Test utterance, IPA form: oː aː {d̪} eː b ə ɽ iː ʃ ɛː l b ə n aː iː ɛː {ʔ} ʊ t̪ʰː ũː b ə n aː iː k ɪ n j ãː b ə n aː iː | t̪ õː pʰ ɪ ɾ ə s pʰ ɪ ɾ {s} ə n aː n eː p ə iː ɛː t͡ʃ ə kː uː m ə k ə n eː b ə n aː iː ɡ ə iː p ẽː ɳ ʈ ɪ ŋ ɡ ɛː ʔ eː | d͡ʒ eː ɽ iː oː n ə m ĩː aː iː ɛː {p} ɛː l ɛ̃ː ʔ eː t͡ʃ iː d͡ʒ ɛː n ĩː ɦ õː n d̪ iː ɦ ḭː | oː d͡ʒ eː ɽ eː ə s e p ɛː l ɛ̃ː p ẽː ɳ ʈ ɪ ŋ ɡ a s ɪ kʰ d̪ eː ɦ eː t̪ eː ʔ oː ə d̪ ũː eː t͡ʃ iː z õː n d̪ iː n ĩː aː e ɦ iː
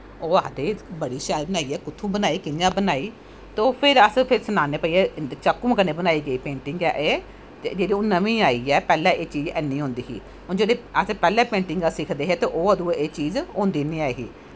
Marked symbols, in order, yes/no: yes, no, yes, yes

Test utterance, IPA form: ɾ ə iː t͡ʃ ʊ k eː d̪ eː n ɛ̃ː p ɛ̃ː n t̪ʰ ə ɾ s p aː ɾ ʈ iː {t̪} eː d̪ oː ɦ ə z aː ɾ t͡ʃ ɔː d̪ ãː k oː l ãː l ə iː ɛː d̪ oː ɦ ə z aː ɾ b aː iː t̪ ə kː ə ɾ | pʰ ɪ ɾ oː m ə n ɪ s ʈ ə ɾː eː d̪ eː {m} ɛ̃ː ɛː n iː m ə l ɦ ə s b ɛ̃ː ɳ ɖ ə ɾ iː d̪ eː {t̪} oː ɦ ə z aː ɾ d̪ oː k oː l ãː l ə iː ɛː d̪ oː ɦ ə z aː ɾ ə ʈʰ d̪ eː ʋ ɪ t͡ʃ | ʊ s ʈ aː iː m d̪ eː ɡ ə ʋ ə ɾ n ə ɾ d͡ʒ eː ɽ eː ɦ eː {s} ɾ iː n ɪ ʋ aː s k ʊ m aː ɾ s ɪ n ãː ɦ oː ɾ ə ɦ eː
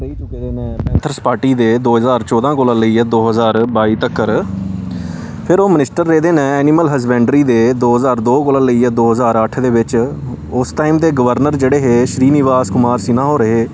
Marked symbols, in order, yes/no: no, no, no, no

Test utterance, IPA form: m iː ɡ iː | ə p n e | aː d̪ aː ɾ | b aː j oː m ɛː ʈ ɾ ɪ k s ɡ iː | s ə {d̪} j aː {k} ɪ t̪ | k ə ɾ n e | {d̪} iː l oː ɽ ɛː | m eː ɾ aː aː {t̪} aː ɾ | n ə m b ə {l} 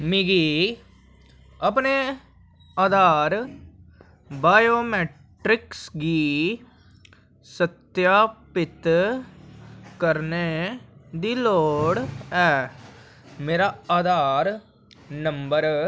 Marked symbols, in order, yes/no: no, no, yes, no, no

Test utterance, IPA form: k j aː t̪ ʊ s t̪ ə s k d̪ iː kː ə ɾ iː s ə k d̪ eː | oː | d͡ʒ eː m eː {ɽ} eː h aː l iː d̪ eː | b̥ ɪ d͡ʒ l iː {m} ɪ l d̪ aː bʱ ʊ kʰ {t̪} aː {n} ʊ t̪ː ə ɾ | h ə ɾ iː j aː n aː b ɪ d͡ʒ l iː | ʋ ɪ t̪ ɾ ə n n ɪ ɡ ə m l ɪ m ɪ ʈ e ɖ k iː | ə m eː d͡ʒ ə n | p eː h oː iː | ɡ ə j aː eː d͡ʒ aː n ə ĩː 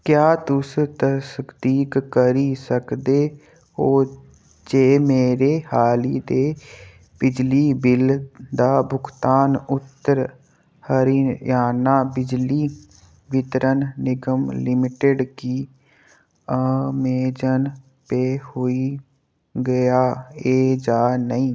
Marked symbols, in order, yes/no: no, no, yes, yes

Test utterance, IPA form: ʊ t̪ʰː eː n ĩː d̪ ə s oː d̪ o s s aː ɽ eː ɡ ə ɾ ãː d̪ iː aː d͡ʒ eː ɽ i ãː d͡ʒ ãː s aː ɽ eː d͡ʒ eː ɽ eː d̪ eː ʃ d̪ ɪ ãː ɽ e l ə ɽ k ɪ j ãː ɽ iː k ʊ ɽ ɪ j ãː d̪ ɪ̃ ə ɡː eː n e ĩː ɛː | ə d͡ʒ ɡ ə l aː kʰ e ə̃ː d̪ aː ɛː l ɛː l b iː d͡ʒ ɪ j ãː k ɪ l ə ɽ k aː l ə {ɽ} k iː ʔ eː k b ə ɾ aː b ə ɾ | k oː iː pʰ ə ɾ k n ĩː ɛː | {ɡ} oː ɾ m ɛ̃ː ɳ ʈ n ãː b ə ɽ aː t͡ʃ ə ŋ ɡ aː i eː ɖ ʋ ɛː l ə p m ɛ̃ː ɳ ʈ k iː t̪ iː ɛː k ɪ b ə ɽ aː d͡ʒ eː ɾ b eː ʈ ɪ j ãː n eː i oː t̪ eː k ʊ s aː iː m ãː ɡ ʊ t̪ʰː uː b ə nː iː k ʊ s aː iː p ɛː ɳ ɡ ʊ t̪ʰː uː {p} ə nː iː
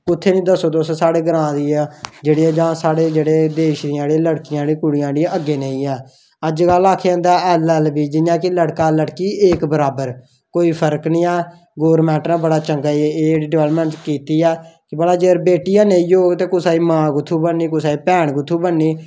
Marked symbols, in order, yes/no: yes, yes, no

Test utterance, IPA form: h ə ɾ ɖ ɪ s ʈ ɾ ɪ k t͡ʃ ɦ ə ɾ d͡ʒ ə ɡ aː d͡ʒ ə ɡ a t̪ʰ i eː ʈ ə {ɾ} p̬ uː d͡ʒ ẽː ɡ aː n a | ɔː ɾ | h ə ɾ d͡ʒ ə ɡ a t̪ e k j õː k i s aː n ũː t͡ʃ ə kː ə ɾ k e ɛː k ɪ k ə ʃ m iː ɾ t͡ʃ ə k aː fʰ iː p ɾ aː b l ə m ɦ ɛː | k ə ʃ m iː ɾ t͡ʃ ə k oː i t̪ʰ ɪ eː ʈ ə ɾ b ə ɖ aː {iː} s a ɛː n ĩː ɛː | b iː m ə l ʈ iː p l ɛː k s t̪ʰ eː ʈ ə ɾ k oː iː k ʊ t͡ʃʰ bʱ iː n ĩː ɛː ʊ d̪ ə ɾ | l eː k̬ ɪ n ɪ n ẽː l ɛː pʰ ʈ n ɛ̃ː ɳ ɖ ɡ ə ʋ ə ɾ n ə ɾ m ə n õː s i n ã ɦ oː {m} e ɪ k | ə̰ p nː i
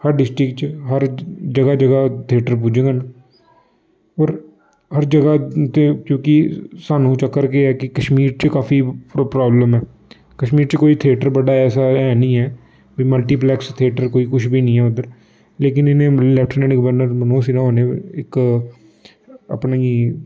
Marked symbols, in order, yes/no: yes, no, no

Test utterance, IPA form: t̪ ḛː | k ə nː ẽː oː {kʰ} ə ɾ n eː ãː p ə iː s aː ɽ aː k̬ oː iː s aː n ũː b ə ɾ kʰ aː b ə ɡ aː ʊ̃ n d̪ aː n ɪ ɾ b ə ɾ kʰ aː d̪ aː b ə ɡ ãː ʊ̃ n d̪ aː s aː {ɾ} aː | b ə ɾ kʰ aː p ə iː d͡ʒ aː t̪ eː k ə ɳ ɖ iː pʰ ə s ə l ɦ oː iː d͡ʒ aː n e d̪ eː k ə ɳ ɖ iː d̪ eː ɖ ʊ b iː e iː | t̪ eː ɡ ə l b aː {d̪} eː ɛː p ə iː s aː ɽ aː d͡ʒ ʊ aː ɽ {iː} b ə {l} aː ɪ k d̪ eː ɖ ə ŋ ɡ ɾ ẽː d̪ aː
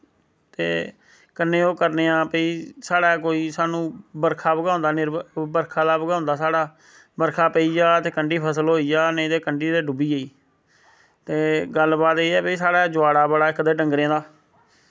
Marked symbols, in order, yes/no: no, no, no, no, no

